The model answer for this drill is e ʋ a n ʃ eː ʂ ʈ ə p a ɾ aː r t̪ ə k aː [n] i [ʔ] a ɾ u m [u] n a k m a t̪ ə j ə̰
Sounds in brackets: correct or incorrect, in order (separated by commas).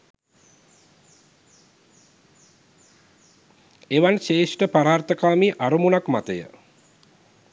incorrect, correct, correct